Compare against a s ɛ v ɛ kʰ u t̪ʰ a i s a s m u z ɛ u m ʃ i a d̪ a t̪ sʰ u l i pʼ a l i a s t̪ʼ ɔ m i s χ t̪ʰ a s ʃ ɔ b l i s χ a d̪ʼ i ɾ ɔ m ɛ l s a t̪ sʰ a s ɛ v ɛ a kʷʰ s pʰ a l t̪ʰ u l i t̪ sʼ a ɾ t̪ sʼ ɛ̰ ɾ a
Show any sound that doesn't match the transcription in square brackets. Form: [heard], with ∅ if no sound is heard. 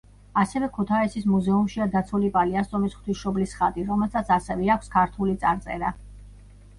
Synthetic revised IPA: a s ɛ v ɛ kʰ u t̪ʰ a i s [i] s m u z ɛ u m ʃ i a d̪ a t̪ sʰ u l i pʼ a l i a s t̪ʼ ɔ m i s χ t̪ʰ [i] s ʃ ɔ b l i s χ a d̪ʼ i ɾ ɔ m ɛ l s a t̪ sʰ a s ɛ v ɛ a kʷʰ s [kʰ] a [ɾ] t̪ʰ u l i t̪ sʼ a ɾ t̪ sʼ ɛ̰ ɾ a